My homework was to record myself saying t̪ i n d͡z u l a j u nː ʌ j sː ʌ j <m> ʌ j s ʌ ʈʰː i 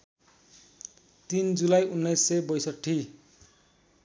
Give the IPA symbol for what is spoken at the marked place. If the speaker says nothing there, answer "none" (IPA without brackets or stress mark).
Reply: b